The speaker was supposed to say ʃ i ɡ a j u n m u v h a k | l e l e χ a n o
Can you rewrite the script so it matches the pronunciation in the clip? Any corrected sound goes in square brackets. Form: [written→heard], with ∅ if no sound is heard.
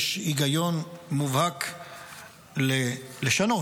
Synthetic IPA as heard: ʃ i ɡ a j [u→o] n m u v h a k | l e l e [χ→ʃ] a n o

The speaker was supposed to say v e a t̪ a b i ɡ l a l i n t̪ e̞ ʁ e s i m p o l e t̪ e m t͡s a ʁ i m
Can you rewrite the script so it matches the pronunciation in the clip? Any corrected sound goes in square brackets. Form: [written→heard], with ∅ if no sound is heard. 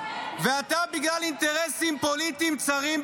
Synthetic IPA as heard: v e a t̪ a b i ɡ l a l i n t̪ e̞ ʁ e s i m p o l [e→i] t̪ [e→i] m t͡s a ʁ i m

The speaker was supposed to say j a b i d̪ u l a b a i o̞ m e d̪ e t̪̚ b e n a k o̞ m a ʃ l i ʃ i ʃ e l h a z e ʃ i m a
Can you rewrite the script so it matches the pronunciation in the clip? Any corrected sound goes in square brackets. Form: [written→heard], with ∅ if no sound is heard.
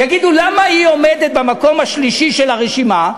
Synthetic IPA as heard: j a [b→ɡ] i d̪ u l a [b→m] a i o̞ m e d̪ e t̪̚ b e [n→m] a k o̞ m a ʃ l i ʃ i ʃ e l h a [z→ʁ] e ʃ i m a

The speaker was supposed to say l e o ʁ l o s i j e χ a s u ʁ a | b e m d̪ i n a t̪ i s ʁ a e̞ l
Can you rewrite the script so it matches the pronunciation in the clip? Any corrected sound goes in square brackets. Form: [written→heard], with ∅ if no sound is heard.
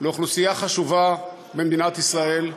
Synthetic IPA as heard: l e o [ʁ→χ] l [o→u] s i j [e→a] χ a [s→ʃ] u [ʁ→v] a | b e m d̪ i n a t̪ i s ʁ a e̞ l

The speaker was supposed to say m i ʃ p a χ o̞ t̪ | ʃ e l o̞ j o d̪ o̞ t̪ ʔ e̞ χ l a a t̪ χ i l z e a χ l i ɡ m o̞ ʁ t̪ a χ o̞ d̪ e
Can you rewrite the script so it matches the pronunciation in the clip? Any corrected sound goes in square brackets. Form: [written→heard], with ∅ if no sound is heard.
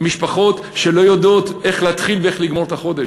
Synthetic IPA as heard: m i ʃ p a χ o̞ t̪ | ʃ e l o̞ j o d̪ o̞ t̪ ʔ e̞ χ l [a→e] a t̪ χ i l [z→v] e [a→e] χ l i ɡ m o̞ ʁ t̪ a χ o̞ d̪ e

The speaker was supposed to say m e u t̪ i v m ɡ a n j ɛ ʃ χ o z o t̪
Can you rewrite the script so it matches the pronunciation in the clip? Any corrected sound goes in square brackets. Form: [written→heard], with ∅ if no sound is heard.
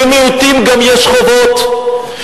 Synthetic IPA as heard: m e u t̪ i [v→∅] m ɡ a [n→m] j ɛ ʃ χ o [z→v] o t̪

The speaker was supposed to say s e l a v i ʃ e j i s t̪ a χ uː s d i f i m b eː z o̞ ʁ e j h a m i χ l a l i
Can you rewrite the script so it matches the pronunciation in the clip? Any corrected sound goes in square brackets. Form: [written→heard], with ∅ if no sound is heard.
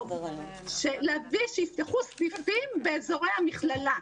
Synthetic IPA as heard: [s→ʃ] e l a v i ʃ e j i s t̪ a χ [uː→u] s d i f i m b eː z o̞ ʁ e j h a m i χ l a l [i→a]

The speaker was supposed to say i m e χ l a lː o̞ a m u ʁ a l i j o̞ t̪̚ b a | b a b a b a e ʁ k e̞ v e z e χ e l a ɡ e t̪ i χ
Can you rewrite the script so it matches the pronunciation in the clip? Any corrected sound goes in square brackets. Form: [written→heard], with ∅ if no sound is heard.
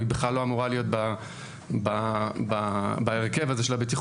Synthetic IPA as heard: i [m→b] e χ l a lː o̞ a m u ʁ a l i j o̞ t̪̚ b a | b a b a b a e ʁ k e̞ v [e→a] z e [χ→ʃ] e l a [ɡ→b] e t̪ i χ

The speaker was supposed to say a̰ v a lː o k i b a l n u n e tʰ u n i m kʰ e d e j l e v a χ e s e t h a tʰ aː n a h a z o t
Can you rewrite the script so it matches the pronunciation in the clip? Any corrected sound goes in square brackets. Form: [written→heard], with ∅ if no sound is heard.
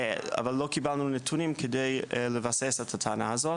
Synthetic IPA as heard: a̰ v a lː o k i b a l n u n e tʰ u n i m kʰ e d e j l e v a [χ→s] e s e t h a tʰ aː n a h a z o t

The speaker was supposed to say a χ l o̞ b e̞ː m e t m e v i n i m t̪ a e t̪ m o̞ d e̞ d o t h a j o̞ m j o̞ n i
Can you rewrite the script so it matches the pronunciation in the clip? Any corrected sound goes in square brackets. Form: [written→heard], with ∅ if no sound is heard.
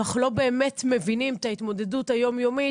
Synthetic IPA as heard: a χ l o̞ b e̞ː m e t m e v i n i m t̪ a [e→i] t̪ m o̞ d e̞ d [o→u] t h a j o̞ m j o̞ [n→m] i

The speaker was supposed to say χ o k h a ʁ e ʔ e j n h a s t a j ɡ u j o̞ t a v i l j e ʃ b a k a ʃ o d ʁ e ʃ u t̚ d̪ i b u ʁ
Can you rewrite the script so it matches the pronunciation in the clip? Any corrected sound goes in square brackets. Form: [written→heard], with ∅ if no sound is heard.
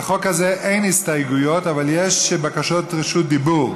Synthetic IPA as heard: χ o k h a [ʁ→z] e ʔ e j n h [a→i] s t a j ɡ u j o̞ t a v [i→a] l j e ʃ b a k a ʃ o [d→t] ʁ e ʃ u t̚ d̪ i b u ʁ

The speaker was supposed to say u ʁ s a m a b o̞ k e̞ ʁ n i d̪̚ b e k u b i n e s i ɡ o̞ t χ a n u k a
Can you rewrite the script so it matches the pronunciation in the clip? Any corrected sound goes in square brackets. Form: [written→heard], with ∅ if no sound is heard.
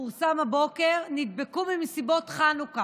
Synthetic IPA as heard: u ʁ s a m a b o̞ k e̞ ʁ n i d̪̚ b e k u [b→m] i [n→m] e s i [ɡ→b] o̞ t χ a n u k a

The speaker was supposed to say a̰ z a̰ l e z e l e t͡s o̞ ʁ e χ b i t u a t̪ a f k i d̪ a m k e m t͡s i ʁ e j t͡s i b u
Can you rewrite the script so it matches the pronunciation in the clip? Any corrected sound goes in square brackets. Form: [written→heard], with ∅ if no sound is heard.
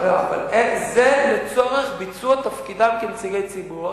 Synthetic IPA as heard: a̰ [z→v] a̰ l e z e l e t͡s o̞ ʁ e χ b i [t→t͡s] u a t̪ a f k i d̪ a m k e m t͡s i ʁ e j t͡s i b u

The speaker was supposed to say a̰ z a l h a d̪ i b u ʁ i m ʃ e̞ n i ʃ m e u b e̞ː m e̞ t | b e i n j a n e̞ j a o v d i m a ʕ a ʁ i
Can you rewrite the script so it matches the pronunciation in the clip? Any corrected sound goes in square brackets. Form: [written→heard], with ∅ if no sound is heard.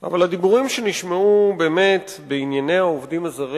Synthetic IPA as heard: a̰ [z→v] a l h a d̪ i b u ʁ i m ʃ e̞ n i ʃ m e u b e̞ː m e̞ t | b e i n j a n e̞ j a o v d i m a [ʕ→z] a ʁ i

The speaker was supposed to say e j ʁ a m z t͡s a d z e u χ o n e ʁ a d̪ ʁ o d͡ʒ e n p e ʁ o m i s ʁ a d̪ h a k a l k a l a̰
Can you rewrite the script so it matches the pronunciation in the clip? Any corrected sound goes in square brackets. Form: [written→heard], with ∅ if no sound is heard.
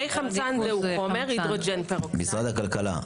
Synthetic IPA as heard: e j [ʁ→χ] a m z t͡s a [d→n] z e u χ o [n→m] e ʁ [a→i] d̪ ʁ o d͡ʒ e n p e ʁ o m i s ʁ a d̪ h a k a l k a l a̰

